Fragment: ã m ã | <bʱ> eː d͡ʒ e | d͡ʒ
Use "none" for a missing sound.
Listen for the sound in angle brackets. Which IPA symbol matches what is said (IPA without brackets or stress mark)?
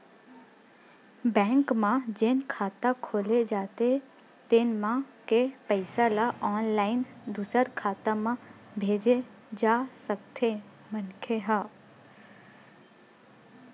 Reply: bʱ